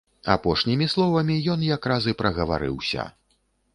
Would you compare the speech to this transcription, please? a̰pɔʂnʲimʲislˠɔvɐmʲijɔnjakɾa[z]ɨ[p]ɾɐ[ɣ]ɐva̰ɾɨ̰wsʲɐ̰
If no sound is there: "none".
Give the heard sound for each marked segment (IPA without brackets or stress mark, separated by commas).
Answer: z, p, ɣ